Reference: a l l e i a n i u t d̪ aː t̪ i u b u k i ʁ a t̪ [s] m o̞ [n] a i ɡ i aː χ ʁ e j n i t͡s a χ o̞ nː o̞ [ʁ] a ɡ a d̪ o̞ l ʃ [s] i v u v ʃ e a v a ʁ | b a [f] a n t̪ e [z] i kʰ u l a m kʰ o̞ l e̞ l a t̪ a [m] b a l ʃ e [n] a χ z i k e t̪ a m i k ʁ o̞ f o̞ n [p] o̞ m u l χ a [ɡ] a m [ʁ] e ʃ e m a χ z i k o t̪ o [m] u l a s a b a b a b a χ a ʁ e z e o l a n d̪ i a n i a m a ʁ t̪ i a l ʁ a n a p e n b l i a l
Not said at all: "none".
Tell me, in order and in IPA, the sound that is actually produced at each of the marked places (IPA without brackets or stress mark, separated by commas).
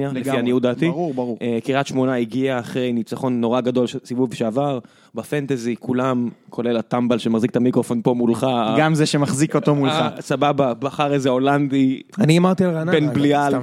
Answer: ʃ, n, ʁ, s, f, z, m, m, p, ɡ, z, m